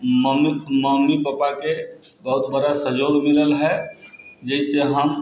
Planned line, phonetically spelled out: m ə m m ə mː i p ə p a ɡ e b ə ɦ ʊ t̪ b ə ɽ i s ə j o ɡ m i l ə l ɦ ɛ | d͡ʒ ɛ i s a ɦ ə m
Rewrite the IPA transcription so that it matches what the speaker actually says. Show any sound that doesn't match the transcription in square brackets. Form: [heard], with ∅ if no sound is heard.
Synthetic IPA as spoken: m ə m m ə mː i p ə p a [k] e b ə ɦ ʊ t̪ b ə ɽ [a] s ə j o ɡ m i l ə l ɦ ɛ | d͡ʒ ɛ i s [e] ɦ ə m